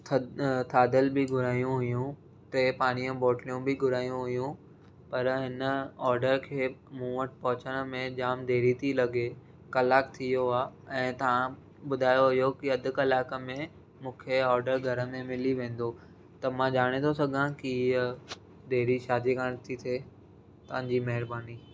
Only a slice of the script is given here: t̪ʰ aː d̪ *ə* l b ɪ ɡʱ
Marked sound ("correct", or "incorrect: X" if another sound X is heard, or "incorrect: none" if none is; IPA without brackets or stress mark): correct